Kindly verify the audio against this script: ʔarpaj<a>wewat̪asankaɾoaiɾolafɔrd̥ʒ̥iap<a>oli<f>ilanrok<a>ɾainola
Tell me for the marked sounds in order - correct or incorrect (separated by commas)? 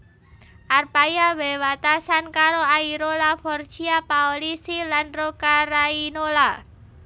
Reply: correct, correct, incorrect, correct